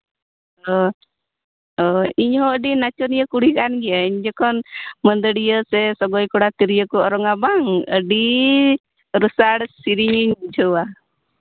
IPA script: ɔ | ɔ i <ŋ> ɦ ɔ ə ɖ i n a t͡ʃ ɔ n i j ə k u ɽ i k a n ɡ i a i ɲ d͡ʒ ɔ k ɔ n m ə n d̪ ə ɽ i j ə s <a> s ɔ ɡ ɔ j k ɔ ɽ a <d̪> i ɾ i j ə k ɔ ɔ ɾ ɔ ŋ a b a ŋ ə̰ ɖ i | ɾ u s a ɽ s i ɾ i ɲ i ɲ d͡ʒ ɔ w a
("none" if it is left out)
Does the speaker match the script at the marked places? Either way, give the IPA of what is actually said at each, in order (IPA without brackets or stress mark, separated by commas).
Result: ɲ, ɛ, t̪